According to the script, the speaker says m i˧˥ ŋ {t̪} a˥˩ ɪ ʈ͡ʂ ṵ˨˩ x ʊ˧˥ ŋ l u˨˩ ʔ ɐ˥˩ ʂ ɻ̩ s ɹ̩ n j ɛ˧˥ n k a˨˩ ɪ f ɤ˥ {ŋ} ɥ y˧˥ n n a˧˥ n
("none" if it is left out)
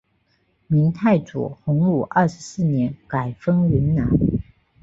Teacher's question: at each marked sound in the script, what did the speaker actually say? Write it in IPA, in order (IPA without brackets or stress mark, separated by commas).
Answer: t̪ʰ, ŋ